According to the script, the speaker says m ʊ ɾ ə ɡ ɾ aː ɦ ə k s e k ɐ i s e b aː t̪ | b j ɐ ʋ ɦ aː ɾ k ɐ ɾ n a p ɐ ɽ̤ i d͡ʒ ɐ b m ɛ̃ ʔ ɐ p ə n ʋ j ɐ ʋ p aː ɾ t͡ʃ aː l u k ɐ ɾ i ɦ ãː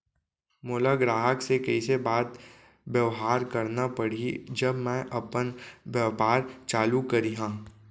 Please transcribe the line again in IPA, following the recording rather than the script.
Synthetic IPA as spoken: m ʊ l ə ɡ ɾ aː ɦ ə k s e k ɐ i s e b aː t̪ | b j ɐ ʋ ɦ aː ɾ k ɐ ɾ n a p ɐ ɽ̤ i d͡ʒ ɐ b m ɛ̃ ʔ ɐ p ə n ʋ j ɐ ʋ p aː ɾ t͡ʃ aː l u k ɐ ɾ i ɦ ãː